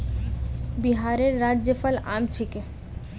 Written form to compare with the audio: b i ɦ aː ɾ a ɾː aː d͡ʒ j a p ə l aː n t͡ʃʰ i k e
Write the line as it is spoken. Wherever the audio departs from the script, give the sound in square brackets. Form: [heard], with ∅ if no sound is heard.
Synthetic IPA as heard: b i ɦ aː ɾ [e] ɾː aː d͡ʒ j [ə] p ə l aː [m] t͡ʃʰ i k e